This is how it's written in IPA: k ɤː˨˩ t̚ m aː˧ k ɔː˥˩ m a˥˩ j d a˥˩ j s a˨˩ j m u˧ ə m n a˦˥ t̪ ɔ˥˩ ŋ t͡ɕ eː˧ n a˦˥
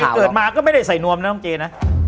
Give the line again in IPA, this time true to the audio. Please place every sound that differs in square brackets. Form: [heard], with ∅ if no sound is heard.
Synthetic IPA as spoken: k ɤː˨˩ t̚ m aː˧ k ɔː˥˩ m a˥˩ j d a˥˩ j s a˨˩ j [n] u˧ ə m n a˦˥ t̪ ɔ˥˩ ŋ t͡ɕ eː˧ n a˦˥